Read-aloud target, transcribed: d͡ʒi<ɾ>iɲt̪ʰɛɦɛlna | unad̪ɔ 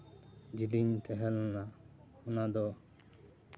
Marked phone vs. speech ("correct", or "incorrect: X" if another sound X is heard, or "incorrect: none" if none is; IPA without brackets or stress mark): incorrect: l